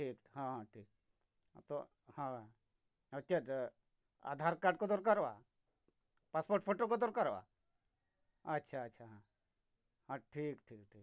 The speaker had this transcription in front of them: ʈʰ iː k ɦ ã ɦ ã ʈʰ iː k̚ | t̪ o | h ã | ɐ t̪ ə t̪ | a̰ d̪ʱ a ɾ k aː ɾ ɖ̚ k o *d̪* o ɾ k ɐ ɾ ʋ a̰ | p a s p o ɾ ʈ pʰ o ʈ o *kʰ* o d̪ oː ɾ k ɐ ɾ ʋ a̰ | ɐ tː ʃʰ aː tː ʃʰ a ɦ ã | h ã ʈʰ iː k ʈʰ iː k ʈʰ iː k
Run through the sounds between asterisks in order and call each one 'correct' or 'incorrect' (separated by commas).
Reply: correct, incorrect